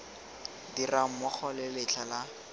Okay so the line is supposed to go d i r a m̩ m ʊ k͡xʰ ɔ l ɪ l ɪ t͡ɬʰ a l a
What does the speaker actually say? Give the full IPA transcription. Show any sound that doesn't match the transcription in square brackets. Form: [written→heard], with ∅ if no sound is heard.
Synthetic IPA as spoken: d i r a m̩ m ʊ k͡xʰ ɔ l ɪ l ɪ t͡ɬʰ a l a